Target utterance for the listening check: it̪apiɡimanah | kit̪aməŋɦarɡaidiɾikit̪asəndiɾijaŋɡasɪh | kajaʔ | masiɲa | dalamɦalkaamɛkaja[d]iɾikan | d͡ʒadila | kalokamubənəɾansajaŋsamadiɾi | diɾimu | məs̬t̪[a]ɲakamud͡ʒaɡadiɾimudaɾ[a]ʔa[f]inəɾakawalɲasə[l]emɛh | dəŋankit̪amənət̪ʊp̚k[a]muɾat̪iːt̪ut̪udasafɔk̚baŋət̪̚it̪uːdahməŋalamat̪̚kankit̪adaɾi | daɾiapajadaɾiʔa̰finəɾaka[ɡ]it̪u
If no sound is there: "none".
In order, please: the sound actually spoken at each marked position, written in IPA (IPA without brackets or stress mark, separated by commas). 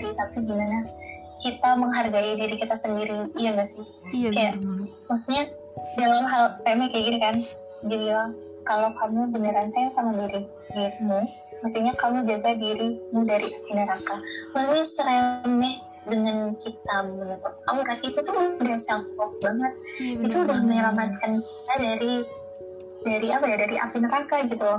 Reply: ɡ, i, i, f, ɾ, a, ɡ